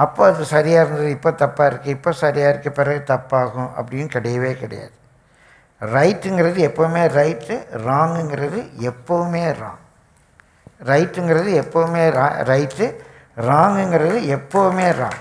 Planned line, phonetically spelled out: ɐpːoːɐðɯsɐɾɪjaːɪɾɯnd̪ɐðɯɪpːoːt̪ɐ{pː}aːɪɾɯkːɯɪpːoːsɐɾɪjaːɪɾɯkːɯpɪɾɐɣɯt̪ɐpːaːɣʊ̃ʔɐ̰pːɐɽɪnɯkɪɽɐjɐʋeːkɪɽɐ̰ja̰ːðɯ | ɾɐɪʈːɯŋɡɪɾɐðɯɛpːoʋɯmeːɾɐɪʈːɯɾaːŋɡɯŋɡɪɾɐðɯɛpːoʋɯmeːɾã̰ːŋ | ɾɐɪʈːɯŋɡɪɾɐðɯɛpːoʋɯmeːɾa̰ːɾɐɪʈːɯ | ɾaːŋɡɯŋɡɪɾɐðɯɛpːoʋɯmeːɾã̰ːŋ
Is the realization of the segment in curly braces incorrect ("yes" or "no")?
no